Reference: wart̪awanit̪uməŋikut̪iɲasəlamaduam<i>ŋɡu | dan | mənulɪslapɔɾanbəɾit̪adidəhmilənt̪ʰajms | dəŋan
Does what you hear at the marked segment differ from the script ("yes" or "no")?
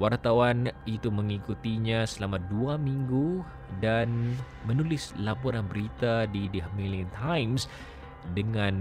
no